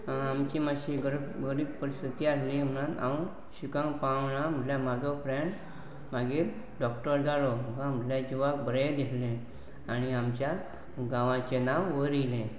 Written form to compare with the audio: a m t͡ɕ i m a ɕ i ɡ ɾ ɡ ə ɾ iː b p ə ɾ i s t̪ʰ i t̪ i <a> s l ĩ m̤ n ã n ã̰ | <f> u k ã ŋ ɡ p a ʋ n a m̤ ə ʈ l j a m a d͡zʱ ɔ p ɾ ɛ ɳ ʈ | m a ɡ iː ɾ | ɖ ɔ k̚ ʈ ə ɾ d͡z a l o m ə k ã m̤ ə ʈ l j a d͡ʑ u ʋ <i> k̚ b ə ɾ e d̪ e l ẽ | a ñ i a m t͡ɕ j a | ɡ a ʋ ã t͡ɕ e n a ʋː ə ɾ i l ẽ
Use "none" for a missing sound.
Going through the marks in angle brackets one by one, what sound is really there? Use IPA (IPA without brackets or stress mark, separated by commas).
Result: a, ɕ, a